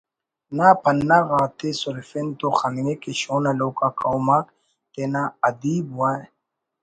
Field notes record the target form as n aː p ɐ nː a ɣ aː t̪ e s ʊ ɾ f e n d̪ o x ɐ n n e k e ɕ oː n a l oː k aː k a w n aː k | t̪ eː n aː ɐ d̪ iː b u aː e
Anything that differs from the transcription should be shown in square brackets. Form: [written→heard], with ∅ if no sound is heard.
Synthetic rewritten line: n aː p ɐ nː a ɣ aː t̪ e s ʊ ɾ f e n [d̪→t̪] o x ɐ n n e k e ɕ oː n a l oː k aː k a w [n→m] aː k | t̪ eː n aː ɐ d̪ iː b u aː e

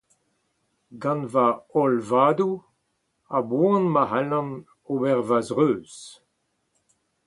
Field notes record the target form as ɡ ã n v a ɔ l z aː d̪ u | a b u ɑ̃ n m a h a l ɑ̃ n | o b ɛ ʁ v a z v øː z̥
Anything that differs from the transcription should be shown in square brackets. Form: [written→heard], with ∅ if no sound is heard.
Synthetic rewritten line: ɡ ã n v a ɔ l [z→v] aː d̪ u | a b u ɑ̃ n m a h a l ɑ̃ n | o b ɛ ʁ v a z [v→ʁ] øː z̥

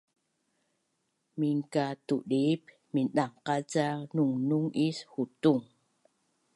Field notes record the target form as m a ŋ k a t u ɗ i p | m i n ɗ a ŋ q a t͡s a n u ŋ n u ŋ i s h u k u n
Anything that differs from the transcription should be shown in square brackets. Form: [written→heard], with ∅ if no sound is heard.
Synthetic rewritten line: m [a→i] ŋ k a t u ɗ i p | m i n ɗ a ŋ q a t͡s a n u ŋ n u ŋ i s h u [k→t] u [n→ŋ]

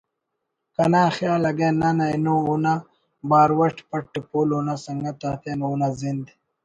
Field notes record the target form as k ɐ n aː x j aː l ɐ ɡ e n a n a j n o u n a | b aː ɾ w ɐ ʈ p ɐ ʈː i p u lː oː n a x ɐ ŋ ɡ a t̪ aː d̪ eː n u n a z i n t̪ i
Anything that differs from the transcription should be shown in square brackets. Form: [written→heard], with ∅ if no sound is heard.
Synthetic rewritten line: k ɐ n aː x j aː l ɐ ɡ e n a n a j n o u n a | b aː ɾ w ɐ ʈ p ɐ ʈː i p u [lː→l] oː n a [x→s] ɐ ŋ ɡ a t̪ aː [d̪→t̪] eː n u n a z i n [t̪→d̪] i

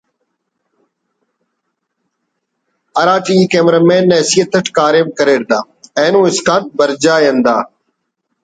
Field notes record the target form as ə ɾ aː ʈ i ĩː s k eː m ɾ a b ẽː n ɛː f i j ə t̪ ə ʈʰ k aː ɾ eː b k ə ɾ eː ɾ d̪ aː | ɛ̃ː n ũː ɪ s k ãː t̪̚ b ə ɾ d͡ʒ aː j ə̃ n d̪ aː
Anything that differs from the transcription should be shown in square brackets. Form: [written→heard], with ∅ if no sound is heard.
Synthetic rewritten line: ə ɾ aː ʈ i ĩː [s→∅] k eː m ɾ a [b→m] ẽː n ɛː [f→s] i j ə t̪ ə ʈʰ k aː ɾ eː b k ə ɾ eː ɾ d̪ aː | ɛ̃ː n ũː ɪ s k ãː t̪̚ b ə ɾ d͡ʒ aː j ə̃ n d̪ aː

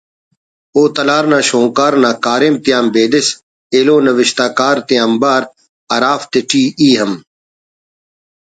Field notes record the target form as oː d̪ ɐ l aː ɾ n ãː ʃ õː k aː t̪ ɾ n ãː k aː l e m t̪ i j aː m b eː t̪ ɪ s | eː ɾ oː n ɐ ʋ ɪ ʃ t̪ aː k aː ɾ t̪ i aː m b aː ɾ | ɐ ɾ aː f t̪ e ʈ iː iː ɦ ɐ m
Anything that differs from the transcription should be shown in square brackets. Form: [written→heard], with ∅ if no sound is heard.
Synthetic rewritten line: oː [d̪→t̪] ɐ l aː ɾ n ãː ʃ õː k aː [t̪→∅] ɾ n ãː k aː [l→ɾ] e m t̪ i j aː m b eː [t̪→d̪] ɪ s | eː [ɾ→l] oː n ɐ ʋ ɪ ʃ t̪ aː k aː ɾ t̪ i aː m b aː ɾ | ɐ ɾ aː f t̪ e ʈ iː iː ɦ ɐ m

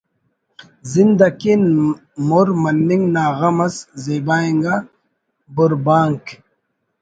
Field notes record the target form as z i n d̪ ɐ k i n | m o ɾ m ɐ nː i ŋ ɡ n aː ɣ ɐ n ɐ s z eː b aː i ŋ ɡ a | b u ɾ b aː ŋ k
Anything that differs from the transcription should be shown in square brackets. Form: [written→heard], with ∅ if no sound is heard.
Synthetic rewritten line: z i n d̪ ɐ k i n | m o ɾ m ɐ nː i ŋ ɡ n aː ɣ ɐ [n→m] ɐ s z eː b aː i ŋ ɡ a | b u ɾ b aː ŋ k

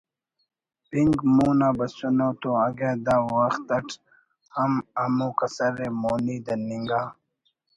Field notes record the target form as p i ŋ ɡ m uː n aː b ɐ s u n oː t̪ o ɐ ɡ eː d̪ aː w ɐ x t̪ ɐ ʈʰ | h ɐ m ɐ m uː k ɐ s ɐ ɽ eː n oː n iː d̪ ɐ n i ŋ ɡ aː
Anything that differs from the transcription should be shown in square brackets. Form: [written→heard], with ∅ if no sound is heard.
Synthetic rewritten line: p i ŋ ɡ m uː n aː b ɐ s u n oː t̪ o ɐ ɡ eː d̪ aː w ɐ x t̪ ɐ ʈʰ | h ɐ m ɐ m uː k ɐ s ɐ [ɽ→ɾ] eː [n→m] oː n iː d̪ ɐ n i ŋ ɡ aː

